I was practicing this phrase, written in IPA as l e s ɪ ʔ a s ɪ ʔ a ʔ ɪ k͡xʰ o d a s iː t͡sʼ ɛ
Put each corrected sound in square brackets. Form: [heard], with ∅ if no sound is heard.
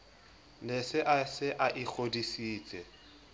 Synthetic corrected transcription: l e s ɪ ʔ a s ɪ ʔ a ʔ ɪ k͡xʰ o d [i] s iː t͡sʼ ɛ